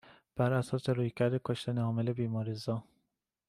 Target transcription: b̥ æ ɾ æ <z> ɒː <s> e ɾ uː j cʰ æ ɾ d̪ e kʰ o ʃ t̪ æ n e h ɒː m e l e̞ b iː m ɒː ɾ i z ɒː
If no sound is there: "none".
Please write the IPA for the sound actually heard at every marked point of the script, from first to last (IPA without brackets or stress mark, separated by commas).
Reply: s, s